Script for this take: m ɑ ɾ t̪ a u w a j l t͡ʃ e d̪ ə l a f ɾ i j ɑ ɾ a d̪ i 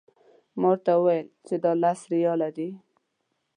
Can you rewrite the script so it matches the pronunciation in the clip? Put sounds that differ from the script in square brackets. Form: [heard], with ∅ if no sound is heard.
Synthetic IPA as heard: m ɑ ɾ t̪ a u w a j l t͡ʃ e d̪ [ɑ] l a [s] ɾ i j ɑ [l] a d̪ i